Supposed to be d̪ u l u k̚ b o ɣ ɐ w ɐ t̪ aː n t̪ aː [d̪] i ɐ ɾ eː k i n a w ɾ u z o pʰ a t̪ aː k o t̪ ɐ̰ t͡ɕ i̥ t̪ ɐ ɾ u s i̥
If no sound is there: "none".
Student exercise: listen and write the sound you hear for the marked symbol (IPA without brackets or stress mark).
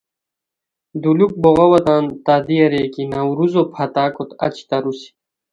d̪